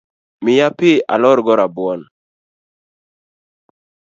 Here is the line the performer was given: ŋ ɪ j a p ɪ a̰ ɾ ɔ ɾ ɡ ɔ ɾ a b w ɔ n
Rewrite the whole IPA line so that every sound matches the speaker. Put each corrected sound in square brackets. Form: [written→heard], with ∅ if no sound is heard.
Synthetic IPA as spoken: [ŋ→m] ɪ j a p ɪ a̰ [ɾ→l] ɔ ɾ ɡ ɔ ɾ a b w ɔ n